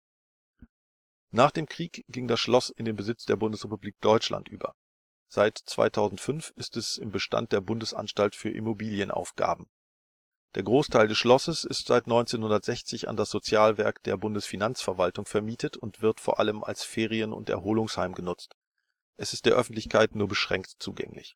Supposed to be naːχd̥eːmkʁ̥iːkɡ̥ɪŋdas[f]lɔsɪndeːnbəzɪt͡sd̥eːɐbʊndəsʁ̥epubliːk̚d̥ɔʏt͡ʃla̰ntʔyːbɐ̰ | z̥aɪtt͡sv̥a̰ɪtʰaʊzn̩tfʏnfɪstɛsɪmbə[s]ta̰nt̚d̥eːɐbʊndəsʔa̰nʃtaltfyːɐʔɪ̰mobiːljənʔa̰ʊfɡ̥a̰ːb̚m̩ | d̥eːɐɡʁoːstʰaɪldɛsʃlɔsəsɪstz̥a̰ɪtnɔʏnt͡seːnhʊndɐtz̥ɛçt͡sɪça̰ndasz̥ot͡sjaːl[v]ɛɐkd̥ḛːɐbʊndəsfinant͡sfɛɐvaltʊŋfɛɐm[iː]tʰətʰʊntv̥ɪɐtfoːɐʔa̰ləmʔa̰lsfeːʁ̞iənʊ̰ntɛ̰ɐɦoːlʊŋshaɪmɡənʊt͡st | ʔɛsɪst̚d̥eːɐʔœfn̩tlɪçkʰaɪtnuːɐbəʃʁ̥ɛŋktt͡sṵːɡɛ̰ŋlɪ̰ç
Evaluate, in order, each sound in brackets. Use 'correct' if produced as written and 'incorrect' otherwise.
incorrect: ʃ, incorrect: ʃ, correct, correct

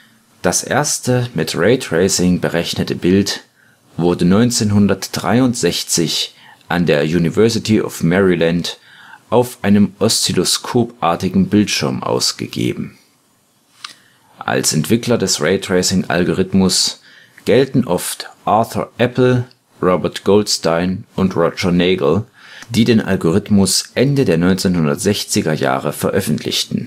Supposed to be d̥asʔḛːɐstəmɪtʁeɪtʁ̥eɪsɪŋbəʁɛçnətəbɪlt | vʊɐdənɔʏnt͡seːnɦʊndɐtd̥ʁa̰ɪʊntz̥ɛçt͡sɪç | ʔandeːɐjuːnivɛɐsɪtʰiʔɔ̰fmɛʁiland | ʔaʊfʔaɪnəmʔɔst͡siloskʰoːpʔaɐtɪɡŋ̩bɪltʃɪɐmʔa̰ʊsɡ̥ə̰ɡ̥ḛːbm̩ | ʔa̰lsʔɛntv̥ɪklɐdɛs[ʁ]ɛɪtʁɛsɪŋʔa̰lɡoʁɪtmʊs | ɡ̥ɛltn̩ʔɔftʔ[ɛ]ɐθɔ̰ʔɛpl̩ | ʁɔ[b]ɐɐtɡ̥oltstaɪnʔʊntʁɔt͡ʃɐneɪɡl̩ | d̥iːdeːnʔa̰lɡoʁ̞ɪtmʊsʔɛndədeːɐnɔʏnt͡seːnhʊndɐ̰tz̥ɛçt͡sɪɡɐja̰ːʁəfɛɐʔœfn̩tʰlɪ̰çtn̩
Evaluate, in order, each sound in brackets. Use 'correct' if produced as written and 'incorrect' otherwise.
correct, incorrect: a, correct

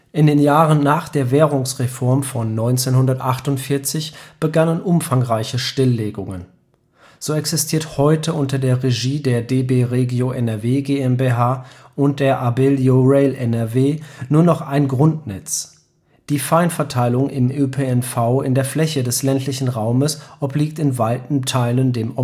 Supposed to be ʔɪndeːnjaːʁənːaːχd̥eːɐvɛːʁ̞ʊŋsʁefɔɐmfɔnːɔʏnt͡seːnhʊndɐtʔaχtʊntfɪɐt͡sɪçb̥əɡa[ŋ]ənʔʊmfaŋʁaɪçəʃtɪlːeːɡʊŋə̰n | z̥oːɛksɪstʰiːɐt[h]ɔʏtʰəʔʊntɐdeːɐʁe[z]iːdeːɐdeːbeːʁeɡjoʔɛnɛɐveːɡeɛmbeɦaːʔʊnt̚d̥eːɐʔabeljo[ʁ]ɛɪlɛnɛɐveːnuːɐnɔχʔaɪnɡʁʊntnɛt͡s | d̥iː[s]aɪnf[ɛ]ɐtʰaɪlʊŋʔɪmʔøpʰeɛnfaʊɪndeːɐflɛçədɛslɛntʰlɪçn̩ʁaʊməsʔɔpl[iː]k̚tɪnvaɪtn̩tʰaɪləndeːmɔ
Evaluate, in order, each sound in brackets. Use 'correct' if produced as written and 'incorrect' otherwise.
incorrect: n, correct, incorrect: ʒ, correct, incorrect: f, correct, correct

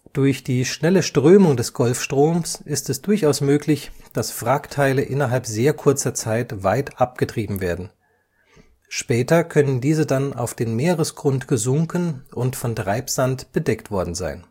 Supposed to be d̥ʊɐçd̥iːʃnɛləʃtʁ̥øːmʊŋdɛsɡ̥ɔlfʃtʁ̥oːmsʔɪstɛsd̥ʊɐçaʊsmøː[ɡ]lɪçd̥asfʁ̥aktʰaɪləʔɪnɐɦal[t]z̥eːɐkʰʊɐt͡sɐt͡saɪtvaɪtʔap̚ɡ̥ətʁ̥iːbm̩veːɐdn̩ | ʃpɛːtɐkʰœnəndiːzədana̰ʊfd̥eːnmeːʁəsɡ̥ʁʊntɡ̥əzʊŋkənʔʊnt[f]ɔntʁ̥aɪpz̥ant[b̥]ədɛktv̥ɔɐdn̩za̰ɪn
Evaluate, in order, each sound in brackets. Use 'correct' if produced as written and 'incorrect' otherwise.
incorrect: k, incorrect: p, correct, correct

